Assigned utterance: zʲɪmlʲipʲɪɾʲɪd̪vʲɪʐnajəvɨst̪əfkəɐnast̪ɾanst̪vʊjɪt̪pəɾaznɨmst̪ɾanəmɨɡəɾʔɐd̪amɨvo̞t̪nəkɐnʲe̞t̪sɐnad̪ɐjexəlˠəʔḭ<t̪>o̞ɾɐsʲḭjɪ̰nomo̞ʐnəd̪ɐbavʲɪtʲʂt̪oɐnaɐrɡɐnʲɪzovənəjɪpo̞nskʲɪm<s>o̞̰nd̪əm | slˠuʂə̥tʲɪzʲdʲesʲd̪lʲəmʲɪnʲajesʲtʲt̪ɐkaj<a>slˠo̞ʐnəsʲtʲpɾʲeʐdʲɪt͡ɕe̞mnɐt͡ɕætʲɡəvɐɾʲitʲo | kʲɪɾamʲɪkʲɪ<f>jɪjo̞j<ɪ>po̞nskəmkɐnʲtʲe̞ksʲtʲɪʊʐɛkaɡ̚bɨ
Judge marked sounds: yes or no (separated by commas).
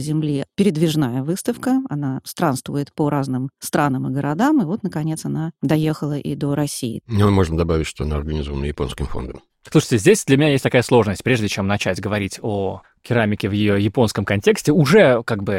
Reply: no, no, no, no, yes